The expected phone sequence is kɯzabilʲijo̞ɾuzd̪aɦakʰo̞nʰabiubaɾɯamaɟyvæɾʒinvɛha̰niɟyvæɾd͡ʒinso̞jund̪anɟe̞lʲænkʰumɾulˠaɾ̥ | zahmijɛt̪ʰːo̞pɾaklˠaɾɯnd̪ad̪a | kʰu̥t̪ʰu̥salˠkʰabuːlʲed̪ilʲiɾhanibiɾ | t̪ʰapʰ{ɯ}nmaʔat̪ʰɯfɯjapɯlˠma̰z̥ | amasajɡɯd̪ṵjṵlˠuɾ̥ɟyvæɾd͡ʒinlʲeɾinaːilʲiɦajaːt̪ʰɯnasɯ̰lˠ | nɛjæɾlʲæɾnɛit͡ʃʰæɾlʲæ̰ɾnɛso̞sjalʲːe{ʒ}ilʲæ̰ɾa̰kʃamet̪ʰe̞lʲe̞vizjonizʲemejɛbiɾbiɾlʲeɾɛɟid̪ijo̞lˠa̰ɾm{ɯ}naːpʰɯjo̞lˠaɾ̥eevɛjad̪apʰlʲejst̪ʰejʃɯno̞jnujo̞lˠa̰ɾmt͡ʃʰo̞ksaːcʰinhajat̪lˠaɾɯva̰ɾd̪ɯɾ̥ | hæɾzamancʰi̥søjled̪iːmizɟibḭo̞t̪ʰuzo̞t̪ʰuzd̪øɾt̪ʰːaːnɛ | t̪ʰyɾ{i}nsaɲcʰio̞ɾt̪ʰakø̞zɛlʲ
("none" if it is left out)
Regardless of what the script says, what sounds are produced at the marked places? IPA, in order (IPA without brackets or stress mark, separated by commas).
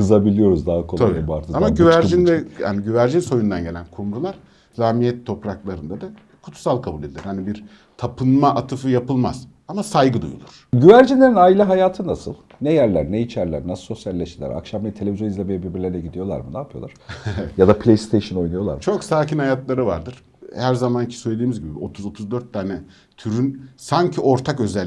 ɯ, ʃ, ɯ, y